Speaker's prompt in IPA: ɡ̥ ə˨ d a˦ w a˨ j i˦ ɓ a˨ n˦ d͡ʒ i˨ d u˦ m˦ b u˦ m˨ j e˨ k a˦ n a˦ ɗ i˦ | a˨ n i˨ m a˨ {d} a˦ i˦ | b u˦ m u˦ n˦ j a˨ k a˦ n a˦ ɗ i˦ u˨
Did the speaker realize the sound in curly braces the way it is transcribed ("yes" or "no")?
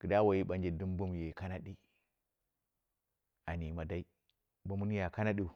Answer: yes